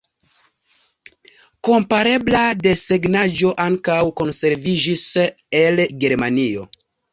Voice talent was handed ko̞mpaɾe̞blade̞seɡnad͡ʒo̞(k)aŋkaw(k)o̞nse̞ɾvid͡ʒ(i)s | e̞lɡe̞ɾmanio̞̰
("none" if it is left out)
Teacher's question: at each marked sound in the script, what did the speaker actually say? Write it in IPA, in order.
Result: ʔ, k, i

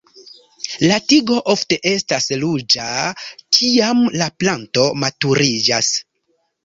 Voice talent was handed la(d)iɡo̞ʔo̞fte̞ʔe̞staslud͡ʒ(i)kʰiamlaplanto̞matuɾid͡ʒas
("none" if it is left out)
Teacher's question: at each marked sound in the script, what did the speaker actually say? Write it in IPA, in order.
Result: t, a

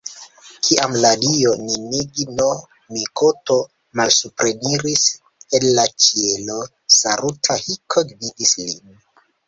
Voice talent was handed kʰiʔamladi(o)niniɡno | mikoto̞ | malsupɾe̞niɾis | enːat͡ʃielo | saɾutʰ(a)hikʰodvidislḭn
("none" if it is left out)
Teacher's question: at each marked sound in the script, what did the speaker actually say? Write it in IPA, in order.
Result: o, a

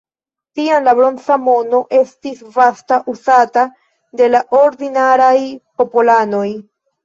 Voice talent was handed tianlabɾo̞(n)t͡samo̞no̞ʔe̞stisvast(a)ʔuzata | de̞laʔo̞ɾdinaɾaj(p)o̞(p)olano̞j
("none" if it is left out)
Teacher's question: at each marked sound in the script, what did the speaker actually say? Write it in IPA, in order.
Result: n, a, p, p

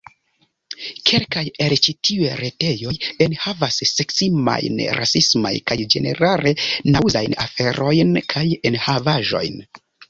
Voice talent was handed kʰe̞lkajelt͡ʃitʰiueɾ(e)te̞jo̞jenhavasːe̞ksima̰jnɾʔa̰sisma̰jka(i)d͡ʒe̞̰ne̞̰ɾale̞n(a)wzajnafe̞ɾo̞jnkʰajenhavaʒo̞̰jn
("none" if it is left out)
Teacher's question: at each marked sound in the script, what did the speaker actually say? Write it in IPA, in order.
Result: e, j, a

